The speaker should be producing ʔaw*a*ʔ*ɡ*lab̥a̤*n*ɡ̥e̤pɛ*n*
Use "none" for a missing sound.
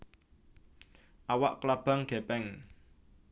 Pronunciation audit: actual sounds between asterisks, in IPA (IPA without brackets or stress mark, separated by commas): a, k, ŋ, ŋ